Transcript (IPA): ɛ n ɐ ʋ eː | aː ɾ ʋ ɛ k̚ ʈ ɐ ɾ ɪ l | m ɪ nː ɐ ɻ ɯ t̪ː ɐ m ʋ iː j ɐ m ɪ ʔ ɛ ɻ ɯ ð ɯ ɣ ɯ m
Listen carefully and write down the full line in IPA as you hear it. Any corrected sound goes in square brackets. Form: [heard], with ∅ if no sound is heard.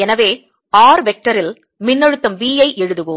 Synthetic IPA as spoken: ɛ n ɐ ʋ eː | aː ɾ ʋ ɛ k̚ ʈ ɐ ɾ ɪ l | m ɪ nː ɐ ɻ ɯ t̪ː ɐ m ʋ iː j ɐ [∅] ɪ ʔ ɛ ɻ ɯ ð ɯ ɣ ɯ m